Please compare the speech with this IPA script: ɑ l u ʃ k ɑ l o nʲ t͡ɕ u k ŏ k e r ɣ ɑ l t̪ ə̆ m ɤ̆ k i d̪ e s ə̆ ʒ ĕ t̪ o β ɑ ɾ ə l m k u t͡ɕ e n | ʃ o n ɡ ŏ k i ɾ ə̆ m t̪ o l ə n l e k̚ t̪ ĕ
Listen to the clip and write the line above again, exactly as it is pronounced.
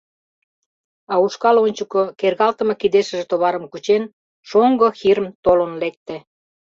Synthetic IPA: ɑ u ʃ k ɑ l o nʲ t͡ɕ u k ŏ k e r ɣ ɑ l t̪ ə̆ m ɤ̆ k i d̪ e ʃ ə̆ ʒ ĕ t̪ o β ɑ ɾ ə m k u t͡ɕ e n | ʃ o ŋ ɡ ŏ x i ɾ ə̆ m t̪ o l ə n l e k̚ t̪ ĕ